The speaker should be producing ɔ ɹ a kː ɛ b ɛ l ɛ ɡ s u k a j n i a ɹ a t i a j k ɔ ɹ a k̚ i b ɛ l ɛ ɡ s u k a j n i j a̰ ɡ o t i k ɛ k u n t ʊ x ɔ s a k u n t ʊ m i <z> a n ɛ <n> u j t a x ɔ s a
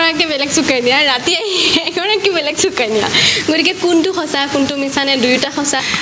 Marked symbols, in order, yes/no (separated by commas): no, no